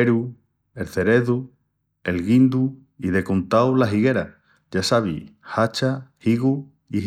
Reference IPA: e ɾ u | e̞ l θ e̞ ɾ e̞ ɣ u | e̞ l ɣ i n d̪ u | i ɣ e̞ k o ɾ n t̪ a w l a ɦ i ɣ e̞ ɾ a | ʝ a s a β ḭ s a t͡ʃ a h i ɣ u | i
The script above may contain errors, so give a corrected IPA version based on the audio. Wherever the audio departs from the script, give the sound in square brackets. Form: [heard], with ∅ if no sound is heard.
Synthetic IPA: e ɾ u | e̞ l θ e̞ ɾ e̞ [ð] u | e̞ l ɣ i n d̪ u | i [ð] e̞ k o [∅] n t̪ a w l a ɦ i ɣ e̞ ɾ a | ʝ a s a β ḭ [h] a t͡ʃ a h i ɣ u | i

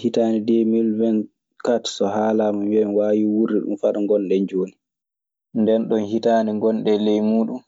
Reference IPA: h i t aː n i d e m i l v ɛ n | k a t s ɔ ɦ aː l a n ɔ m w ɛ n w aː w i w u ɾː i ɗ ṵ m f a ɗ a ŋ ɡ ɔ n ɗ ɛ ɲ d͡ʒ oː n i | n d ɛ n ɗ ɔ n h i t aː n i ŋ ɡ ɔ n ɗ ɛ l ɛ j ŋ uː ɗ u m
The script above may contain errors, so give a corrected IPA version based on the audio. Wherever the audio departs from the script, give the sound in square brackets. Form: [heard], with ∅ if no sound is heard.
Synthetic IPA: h i t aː n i d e m i l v ɛ n | k a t s ɔ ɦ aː l a [m] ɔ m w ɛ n w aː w i w u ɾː i ɗ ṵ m f a ɗ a ŋ ɡ ɔ n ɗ ɛ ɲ d͡ʒ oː n i | n d ɛ n ɗ ɔ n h i t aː n i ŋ ɡ ɔ n ɗ ɛ l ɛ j [m] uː ɗ u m

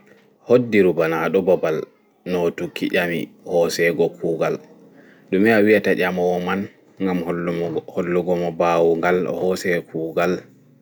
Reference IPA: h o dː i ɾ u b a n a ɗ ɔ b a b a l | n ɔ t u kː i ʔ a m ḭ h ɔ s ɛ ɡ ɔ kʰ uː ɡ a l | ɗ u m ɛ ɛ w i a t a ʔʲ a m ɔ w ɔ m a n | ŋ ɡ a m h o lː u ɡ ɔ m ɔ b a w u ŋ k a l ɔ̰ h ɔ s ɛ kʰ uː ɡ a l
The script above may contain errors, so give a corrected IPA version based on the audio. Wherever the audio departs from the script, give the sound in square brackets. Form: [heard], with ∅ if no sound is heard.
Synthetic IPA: h o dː i ɾ u b a n a ɗ ɔ b a b a l | n ɔ t u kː i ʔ a m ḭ h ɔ s ɛ ɡ ɔ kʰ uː ɡ a l | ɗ u m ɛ [a] w i a t a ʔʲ a m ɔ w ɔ m a n | ŋ ɡ a m h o lː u ɡ ɔ m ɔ b a w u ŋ [ɡ] a l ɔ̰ h ɔ s ɛ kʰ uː ɡ a l

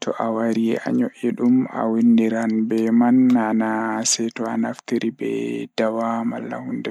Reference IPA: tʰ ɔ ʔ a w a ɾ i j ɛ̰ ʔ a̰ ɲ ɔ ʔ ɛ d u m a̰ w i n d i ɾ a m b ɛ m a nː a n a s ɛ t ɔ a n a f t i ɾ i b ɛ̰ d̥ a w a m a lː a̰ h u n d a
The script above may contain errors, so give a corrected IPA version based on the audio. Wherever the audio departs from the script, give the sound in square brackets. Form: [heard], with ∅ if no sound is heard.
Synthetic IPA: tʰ ɔ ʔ a w a ɾ i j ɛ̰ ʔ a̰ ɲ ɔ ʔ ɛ [ɗ] u m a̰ w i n d i ɾ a [n] b ɛ m a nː a n a s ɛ t ɔ a n a f t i ɾ i b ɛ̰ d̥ a w a m a lː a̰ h u n d [ɛ]

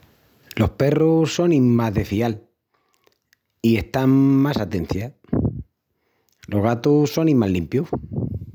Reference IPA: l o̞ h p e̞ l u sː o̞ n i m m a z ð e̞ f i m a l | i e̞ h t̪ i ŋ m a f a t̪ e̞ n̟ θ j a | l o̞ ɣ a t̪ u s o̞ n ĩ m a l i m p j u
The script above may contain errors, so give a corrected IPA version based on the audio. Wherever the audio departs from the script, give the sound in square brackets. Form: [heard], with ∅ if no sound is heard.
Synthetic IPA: l o̞ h p e̞ [r] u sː o̞ n i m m a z ð e̞ f i [∅] a l | i e̞ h t̪ [a] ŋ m a [s] a t̪ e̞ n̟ θ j a | l o̞ ɣ a t̪ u s o̞ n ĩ m a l i m p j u

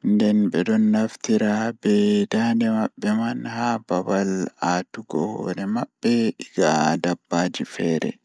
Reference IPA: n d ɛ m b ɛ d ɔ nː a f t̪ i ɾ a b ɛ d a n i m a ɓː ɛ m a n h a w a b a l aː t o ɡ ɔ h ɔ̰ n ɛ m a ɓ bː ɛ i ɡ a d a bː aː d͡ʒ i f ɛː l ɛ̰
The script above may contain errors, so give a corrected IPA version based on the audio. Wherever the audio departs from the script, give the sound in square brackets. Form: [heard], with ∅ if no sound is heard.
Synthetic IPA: n d ɛ [n] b ɛ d ɔ nː a f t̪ i ɾ a b ɛ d a n [ɛ] m a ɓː ɛ m a n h a [b] a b a l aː t [u] ɡ ɔ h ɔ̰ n ɛ m a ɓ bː ɛ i ɡ a d a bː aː d͡ʒ i f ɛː [ɾ] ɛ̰

